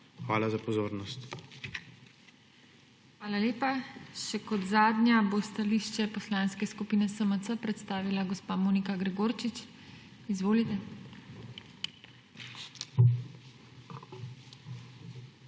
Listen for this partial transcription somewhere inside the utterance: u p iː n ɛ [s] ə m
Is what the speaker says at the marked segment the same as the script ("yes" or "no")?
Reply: yes